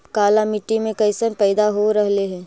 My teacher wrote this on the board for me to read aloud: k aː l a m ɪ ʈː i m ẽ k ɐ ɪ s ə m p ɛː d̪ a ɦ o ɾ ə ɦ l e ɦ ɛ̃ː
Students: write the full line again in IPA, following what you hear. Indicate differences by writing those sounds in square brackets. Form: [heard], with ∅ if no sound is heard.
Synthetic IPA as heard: k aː l a m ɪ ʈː i m ẽ k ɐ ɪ s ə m p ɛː d̪ a ɦ o ɾ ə ɦ l e ɦ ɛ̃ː